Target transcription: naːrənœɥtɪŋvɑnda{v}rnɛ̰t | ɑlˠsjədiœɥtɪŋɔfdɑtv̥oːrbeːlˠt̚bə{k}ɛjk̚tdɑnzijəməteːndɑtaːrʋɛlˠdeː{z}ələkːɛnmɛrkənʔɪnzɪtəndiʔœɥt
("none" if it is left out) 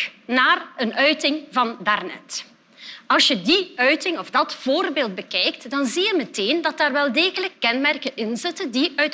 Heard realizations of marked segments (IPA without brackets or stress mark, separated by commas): none, k, ɣ